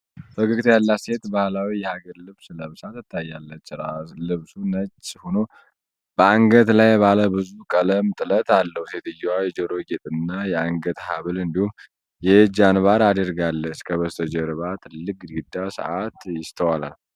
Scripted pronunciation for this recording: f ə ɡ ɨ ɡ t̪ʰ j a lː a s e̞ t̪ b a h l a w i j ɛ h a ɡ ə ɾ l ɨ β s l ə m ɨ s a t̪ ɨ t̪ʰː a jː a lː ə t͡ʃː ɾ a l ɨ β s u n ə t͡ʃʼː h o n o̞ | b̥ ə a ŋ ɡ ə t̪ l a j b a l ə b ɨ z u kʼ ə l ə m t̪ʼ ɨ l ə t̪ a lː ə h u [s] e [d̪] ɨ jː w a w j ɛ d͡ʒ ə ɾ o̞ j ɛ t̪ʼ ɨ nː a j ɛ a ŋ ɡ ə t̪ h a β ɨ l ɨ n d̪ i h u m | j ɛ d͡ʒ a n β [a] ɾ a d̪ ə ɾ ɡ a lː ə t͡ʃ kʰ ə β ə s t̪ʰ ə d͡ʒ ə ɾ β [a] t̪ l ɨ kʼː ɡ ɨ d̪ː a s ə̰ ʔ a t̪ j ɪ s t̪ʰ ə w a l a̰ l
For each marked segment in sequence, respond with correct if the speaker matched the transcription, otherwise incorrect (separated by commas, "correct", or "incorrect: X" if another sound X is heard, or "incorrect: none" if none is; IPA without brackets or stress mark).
correct, incorrect: t̪, correct, correct